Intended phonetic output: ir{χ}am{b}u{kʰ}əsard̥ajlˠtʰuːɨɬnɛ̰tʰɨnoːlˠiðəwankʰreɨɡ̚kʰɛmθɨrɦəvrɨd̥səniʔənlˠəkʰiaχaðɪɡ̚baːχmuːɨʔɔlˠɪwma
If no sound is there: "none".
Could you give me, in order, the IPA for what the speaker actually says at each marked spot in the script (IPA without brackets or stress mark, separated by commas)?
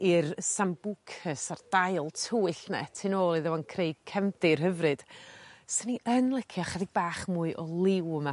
s, b, kʰ